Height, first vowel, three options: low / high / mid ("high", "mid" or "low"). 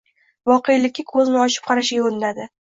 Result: low